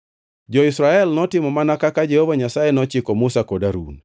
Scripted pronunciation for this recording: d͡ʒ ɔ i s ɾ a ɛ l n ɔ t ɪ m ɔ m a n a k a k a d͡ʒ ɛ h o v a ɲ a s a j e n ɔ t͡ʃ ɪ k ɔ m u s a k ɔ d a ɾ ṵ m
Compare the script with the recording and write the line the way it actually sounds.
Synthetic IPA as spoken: d͡ʒ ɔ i s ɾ a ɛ l n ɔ t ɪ m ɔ m a n a k a k a d͡ʒ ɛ h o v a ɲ a s a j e n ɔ t͡ʃ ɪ k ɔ m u s a k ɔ d a ɾ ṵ n